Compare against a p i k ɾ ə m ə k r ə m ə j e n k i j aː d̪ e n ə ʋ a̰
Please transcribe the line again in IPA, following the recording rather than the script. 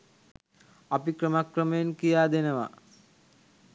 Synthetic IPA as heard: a p i k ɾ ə m a k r ə m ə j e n k i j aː d̪ e n ə ʋ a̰